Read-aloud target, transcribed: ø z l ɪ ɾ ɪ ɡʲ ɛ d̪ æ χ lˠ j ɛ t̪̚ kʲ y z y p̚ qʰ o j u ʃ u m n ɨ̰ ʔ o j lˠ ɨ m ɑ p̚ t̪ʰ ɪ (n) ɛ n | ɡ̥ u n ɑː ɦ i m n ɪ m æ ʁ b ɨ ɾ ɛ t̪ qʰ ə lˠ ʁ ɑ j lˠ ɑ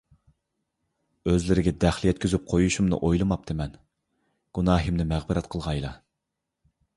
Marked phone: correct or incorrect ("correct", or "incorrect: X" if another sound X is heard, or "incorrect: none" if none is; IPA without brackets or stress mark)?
incorrect: m